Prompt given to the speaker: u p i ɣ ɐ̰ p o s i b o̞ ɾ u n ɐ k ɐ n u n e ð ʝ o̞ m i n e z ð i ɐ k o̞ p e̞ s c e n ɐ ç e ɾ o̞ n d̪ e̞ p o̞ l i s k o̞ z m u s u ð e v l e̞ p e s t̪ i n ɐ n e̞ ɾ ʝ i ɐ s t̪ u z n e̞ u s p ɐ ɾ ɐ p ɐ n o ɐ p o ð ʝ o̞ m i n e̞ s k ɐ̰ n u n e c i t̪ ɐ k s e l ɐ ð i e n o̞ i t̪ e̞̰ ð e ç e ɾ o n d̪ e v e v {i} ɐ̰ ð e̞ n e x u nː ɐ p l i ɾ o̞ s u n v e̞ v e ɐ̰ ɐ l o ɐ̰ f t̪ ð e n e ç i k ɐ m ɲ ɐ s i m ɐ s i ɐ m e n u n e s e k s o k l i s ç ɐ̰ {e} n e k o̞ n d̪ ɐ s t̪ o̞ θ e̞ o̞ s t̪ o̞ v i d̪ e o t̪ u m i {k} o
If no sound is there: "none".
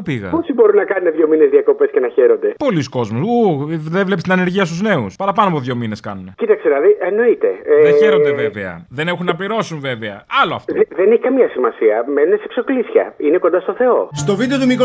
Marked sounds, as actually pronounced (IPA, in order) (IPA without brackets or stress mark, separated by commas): e, i, k